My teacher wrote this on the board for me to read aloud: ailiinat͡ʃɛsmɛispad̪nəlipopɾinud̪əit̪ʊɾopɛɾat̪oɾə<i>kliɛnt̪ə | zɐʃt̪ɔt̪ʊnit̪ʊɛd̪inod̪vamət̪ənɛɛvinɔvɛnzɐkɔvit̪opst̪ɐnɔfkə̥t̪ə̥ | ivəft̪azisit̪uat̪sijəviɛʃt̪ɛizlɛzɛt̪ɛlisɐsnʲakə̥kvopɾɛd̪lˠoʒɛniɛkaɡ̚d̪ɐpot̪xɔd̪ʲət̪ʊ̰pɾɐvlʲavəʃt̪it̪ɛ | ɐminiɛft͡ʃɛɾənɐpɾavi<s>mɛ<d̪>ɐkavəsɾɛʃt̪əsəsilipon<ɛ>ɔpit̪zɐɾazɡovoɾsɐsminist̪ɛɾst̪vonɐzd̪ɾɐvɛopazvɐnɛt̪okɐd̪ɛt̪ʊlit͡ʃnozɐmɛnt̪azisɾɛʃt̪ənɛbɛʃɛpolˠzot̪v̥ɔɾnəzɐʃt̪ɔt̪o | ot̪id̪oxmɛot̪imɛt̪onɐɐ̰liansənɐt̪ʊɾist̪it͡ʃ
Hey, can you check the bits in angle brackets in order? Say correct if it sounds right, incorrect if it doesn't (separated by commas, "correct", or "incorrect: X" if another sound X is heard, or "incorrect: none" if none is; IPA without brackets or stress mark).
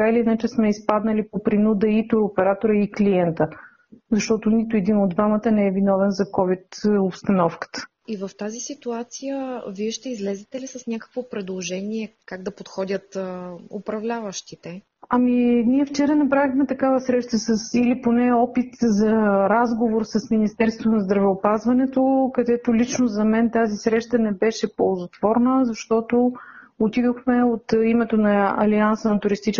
correct, incorrect: x, incorrect: t̪, correct